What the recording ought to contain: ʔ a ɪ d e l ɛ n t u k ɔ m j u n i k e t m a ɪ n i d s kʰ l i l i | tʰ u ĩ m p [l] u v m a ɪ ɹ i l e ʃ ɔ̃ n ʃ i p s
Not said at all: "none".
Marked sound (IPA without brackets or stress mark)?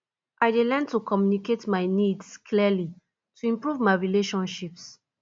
ɹ